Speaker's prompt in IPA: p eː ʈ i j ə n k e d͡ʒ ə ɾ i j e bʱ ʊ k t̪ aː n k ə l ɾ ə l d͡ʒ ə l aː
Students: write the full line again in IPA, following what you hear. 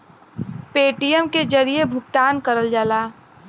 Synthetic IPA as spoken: p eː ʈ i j ə m k e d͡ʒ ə ɾ i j e bʱ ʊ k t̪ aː n k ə ɾ ə l d͡ʒ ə l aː